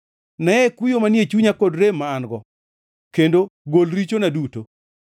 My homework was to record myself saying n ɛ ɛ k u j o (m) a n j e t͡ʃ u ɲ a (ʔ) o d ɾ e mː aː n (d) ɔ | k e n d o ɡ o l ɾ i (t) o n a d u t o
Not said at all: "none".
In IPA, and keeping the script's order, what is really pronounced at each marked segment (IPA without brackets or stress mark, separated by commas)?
m, k, ɡ, t͡ʃ